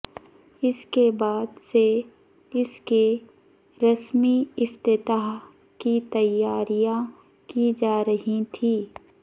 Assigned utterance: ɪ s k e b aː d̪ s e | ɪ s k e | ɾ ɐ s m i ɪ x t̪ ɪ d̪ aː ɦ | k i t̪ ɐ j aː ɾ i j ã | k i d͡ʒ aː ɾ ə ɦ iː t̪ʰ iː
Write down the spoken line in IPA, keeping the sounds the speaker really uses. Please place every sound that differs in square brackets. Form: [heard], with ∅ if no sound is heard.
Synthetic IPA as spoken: ɪ s k e b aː d̪ s e | ɪ s k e | ɾ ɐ s m i ɪ [f] t̪ ɪ [t̪] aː ɦ | k i t̪ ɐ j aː ɾ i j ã | k i d͡ʒ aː ɾ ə ɦ [i] t̪ʰ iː